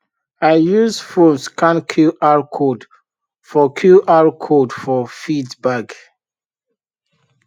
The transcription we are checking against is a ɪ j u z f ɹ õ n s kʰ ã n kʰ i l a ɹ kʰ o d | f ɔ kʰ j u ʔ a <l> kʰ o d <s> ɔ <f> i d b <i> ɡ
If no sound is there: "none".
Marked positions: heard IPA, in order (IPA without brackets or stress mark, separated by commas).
ɹ, f, f, a